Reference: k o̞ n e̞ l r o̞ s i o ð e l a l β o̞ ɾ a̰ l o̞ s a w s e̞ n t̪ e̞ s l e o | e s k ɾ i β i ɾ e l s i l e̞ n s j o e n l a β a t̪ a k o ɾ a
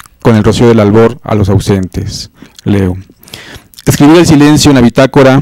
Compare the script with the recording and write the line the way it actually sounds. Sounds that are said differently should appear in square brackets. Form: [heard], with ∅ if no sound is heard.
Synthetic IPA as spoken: k o̞ n e̞ l r o̞ s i o ð e l a l β o̞ ɾ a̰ l o̞ s a w s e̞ n t̪ e̞ s l e o | e s k ɾ i β i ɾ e l s i l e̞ n s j o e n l a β [i] t̪ a k o ɾ a